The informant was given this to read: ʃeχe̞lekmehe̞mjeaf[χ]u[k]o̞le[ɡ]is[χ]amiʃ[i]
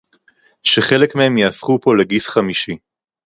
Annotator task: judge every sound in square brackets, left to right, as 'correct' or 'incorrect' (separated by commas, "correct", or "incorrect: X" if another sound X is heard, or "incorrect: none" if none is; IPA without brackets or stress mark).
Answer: correct, incorrect: p, correct, correct, correct